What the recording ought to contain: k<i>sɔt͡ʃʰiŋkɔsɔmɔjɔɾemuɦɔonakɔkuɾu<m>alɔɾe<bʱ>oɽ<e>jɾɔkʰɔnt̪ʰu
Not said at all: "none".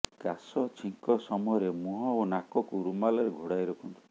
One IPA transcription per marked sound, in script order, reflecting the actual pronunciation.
a, m, ɡʱ, a

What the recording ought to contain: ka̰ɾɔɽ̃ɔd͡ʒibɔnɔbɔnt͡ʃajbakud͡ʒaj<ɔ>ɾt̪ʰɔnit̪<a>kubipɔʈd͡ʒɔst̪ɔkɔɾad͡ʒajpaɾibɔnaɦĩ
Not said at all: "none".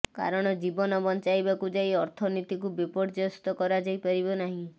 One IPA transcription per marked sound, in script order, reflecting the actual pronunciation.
ɔ, i

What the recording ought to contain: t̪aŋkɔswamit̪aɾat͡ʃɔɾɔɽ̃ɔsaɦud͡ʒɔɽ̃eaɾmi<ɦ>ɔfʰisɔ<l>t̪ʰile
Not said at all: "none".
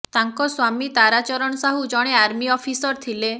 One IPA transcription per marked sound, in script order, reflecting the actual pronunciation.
none, ɾ

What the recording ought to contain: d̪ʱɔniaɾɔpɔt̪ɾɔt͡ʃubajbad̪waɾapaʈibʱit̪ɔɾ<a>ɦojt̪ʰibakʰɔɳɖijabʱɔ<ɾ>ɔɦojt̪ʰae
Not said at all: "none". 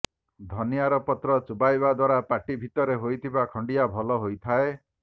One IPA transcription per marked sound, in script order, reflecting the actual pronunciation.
e, l

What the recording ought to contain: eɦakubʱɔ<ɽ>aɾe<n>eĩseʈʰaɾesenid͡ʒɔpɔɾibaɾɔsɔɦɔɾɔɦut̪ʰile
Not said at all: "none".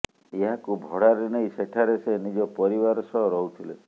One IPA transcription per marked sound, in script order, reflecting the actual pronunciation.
ɽ, n

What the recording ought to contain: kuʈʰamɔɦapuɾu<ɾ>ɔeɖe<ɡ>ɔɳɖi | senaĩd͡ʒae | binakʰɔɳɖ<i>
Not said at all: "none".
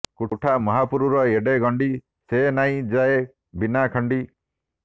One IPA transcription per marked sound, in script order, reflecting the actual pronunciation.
ɾ, ɡ, i

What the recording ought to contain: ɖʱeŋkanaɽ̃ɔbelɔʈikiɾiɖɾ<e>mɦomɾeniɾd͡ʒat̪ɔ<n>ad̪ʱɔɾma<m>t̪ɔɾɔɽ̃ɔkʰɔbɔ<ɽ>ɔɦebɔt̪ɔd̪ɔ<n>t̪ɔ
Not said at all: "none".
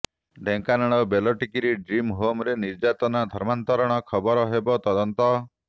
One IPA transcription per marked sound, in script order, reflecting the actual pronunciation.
i, n, n, ɾ, n

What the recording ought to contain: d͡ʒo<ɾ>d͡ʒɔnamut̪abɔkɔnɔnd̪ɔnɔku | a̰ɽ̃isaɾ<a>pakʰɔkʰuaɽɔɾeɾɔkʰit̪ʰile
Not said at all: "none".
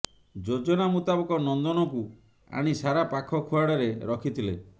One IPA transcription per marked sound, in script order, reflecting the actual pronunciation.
none, a

